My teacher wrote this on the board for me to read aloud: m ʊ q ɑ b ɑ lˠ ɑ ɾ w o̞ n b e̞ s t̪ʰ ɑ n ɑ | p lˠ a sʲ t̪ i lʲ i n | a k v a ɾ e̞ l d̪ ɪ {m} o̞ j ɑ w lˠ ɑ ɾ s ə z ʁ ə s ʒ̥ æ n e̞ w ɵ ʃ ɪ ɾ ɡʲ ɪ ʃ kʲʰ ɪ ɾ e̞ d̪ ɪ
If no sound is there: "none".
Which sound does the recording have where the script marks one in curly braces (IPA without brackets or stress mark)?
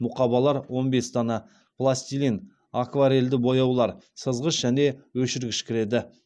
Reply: b